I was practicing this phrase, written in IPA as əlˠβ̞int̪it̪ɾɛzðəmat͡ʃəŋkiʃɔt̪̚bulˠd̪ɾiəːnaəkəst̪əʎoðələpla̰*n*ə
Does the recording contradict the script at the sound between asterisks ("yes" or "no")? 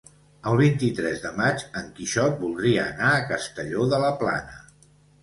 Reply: no